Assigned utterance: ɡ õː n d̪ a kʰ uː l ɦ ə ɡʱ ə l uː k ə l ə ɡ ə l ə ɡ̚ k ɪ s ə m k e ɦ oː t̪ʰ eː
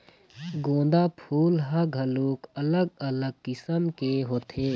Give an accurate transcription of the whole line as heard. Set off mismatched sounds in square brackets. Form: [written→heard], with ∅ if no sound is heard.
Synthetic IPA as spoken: ɡ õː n d̪ a [kʰ→pʰ] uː l ɦ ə ɡʱ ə l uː k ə l ə ɡ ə l ə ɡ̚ k ɪ s ə m k e ɦ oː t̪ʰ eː